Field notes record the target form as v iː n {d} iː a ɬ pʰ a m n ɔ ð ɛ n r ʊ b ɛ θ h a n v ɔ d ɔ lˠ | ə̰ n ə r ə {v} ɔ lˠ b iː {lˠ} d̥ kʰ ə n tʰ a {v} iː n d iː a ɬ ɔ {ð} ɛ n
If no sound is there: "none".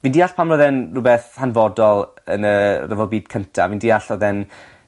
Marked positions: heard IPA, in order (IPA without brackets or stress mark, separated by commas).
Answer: d, v, none, v, ð